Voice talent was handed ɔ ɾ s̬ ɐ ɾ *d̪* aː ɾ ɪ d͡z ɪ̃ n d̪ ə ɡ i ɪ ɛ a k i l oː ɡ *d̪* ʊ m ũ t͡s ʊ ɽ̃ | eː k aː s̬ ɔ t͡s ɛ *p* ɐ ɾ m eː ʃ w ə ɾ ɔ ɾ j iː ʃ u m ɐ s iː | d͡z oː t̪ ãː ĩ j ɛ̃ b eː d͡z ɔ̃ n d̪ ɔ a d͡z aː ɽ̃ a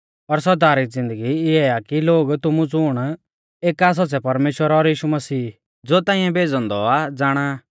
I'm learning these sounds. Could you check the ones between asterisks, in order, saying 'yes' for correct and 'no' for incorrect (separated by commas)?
yes, no, yes